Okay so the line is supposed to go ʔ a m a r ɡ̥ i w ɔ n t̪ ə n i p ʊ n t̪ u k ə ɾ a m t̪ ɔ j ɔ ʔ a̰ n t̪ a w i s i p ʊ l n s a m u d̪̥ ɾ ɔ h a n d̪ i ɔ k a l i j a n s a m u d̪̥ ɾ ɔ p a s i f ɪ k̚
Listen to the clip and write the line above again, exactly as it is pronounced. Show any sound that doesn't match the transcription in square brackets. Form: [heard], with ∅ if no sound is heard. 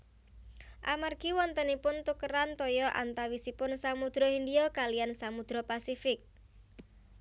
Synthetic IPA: ʔ a m a r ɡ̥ i w ɔ n t̪ ə n i p ʊ n t̪ u k ə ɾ a [n] t̪ ɔ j ɔ ʔ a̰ n t̪ a w i s i p ʊ [∅] n s a m u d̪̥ ɾ ɔ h [i] n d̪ i ɔ k a l i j a n s a m u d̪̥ ɾ ɔ p a s i f ɪ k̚